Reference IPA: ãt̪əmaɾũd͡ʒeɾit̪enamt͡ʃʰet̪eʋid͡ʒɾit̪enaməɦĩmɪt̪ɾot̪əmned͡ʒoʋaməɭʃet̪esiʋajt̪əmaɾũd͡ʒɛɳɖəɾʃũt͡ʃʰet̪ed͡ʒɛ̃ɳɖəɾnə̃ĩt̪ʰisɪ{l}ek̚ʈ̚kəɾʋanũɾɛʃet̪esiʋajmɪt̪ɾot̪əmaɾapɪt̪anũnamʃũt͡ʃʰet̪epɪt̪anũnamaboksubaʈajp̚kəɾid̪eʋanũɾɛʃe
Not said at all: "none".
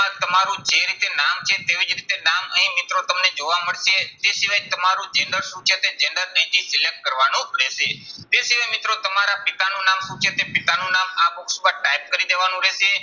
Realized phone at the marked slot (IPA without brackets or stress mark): l